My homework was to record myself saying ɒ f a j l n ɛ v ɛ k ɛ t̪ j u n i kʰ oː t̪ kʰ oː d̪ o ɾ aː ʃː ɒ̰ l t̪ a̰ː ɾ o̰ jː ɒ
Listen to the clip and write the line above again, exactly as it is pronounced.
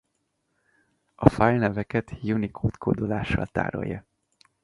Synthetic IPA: ɒ f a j l n ɛ v ɛ k ɛ t̪ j u n i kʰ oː t̪ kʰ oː d̪ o l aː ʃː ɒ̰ l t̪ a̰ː ɾ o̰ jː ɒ